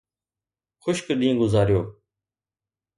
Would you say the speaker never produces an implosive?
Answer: no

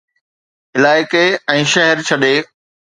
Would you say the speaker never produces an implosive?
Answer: no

